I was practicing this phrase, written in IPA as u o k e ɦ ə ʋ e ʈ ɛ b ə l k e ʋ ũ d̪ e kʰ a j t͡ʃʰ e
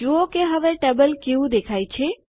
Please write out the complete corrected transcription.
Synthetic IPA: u o k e ɦ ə ʋ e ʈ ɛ b ə l k e ʋ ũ d̪ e kʰ a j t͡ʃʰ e

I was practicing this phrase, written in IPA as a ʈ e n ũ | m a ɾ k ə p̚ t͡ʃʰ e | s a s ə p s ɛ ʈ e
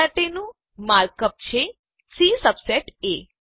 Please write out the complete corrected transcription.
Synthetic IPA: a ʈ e n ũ | m a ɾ k ə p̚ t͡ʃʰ e | s i s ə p s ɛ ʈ e

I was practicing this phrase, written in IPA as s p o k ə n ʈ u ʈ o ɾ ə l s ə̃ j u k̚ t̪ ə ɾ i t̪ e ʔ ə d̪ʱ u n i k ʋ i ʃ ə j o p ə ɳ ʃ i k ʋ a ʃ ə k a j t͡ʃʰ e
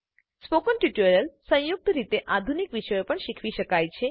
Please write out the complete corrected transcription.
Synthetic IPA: s p o k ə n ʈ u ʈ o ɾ ə l s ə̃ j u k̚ t̪ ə ɾ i t̪ e ʔ a d̪ʱ u n i k ʋ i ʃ ə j o p ə ɳ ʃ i kʰ ʋ i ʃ ə k a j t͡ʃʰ e

